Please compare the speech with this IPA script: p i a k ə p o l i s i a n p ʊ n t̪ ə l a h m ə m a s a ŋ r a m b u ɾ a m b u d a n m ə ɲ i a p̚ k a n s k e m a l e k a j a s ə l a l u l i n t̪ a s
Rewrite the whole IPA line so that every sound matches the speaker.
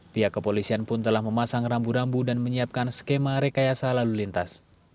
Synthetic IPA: p i a k ə p o l i s i a n p ʊ n t̪ ə l a h m ə m a s a ŋ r a m b u ɾ a m b u d a n m ə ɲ i a p̚ k a n s k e m a ɾ e k a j a s a l a l u l i n t̪ a s